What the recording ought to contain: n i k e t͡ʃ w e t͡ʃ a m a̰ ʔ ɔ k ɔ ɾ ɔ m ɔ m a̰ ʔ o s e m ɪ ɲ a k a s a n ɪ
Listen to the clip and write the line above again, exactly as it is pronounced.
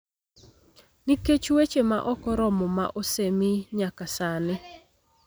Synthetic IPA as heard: n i k e t͡ʃ w e t͡ʃ e m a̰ ʔ ɔ k ɔ ɾ ɔ m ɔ m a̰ ʔ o s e m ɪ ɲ a k a s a n ɪ